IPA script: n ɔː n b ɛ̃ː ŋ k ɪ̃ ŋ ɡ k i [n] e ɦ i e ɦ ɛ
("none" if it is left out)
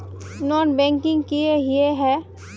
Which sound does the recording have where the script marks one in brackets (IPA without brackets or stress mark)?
none